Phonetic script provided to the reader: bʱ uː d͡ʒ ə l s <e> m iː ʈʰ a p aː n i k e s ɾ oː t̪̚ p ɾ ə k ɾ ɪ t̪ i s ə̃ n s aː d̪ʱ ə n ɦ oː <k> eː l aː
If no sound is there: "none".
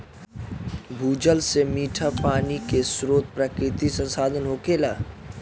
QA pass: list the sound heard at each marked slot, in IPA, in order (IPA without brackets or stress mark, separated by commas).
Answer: e, k